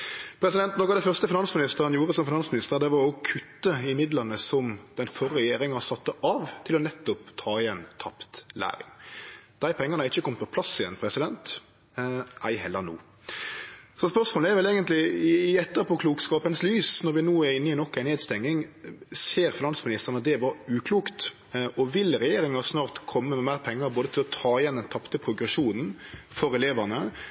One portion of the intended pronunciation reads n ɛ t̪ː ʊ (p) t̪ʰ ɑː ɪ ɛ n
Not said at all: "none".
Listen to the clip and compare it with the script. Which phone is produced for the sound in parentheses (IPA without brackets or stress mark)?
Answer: p